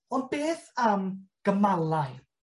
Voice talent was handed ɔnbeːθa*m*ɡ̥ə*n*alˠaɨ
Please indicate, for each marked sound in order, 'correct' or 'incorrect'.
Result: correct, incorrect: m

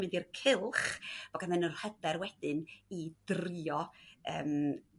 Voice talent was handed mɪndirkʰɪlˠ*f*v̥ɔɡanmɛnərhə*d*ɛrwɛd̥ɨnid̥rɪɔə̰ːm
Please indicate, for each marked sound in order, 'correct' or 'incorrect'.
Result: incorrect: χ, correct

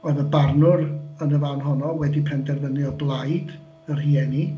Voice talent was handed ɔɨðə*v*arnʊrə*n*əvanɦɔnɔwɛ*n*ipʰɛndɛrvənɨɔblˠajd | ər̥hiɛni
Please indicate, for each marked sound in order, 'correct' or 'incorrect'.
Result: incorrect: b, correct, incorrect: d

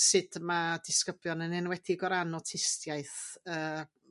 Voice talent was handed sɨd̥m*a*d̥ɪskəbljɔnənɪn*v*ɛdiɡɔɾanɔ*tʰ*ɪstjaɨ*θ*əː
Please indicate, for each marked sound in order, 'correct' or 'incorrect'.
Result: correct, incorrect: w, correct, correct

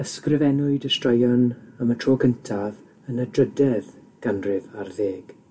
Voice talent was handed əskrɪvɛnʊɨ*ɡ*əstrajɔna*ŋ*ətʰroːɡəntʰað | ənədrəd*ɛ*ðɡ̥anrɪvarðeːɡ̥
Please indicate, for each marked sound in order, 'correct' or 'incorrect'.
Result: incorrect: d, incorrect: m, correct

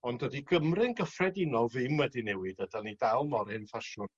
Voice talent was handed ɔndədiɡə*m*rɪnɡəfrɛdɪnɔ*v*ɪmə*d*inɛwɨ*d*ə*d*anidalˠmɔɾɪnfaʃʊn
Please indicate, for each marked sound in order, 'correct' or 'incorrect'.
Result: correct, correct, correct, correct, correct

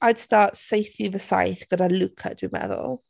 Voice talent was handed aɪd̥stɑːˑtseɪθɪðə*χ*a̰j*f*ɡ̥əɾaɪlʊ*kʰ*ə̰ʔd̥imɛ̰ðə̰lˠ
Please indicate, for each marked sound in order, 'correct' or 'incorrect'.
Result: incorrect: s, incorrect: θ, correct

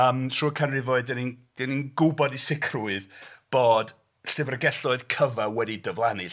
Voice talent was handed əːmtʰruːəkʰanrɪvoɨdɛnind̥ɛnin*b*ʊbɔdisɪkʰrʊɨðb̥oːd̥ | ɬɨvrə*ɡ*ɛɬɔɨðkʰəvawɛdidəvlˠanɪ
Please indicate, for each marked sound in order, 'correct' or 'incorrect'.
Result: incorrect: ɡ, correct

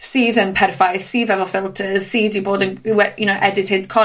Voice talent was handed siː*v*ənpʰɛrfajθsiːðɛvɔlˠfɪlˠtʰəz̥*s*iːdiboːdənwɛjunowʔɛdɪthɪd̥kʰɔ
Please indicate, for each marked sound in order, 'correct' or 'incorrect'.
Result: incorrect: ð, correct

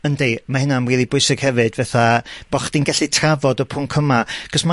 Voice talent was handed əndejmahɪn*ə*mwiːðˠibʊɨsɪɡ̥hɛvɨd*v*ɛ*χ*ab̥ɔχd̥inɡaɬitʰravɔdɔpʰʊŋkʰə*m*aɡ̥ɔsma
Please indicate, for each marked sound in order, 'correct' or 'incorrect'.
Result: incorrect: a, correct, incorrect: θ, correct

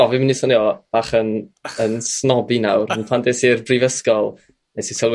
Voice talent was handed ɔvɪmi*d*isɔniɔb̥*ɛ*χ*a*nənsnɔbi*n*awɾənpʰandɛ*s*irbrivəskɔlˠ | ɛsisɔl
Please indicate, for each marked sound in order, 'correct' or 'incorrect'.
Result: incorrect: n, incorrect: a, incorrect: ə, correct, correct

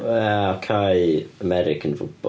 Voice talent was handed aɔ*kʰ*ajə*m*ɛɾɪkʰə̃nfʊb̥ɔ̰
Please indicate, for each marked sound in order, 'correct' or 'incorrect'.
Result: correct, correct

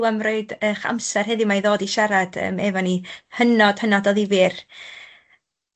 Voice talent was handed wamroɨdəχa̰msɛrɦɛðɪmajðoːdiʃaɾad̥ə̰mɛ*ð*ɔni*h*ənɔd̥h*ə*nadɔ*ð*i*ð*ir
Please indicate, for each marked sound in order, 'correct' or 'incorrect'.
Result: incorrect: v, correct, correct, correct, incorrect: v

